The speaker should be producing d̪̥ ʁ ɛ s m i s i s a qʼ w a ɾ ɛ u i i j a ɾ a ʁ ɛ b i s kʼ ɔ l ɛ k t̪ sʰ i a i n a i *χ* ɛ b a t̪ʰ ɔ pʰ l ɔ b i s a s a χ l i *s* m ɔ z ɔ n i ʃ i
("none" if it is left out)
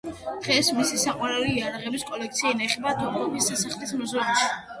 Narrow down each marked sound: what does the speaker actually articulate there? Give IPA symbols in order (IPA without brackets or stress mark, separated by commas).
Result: χ, s